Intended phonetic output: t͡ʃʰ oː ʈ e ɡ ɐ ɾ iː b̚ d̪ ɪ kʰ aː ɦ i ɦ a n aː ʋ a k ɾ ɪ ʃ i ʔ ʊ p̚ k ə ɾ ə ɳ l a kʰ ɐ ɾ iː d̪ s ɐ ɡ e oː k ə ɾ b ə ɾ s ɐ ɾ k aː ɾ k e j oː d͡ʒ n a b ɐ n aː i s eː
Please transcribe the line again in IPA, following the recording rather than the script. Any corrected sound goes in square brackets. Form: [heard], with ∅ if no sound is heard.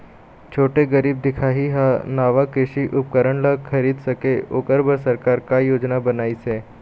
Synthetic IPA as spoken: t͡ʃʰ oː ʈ e ɡ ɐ ɾ iː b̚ d̪ ɪ kʰ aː ɦ i ɦ a n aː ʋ a k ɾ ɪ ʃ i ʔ ʊ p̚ k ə ɾ ə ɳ l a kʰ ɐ ɾ iː d̪ s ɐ [k] e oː k ə ɾ b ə ɾ s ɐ ɾ k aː ɾ k [a] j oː d͡ʒ n a b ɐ n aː i s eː